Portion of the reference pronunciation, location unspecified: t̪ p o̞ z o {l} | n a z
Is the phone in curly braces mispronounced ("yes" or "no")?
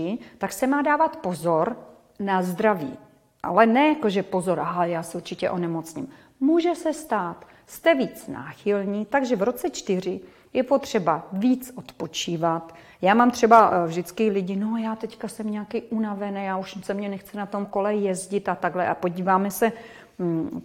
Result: yes